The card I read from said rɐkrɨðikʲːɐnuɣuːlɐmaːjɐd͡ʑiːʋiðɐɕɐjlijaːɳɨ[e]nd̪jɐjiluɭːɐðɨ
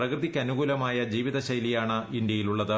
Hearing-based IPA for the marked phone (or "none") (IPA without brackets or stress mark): i